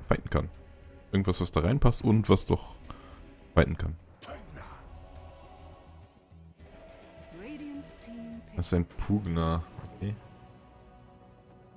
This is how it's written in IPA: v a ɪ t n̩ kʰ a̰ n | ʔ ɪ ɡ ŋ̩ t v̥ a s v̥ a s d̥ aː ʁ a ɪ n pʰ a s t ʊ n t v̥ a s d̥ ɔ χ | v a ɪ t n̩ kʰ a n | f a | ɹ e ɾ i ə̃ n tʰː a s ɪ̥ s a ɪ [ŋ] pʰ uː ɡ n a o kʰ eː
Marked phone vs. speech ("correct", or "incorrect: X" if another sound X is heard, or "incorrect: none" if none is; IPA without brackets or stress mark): incorrect: n